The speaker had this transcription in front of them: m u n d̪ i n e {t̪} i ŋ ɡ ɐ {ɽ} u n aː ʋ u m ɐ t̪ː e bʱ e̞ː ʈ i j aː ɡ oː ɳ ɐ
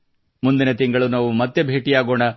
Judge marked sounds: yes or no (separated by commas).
yes, no